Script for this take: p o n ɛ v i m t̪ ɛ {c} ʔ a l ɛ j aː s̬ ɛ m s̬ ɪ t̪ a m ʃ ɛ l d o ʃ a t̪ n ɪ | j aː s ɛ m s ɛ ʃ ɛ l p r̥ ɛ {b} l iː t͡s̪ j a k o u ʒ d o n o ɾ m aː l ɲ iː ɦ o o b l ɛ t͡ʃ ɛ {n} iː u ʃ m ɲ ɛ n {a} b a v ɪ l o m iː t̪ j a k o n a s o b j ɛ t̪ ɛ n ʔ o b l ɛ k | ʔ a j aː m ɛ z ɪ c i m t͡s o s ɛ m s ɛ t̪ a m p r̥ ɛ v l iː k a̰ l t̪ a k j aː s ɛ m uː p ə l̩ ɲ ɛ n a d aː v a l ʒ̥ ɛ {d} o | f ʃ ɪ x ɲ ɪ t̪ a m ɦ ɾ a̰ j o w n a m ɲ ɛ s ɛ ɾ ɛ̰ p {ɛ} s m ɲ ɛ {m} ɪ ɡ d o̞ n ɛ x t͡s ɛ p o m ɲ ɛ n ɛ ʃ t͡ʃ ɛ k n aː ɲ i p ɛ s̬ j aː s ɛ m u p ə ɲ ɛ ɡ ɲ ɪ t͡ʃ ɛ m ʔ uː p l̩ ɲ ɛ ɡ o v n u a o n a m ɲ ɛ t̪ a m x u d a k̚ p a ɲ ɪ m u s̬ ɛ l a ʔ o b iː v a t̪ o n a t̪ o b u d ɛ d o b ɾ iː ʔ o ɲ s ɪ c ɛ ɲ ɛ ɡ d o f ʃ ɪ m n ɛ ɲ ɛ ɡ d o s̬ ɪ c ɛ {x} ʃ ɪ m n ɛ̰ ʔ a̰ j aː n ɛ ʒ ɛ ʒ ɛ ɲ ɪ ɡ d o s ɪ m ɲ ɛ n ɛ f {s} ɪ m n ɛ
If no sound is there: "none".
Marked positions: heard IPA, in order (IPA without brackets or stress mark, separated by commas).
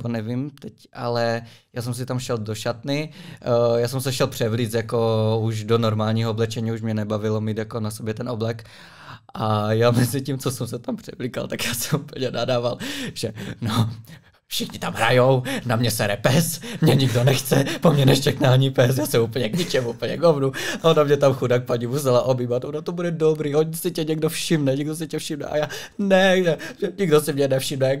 c, v, ɲ, ɛ, n, ɛ, ɲ, f, ʃ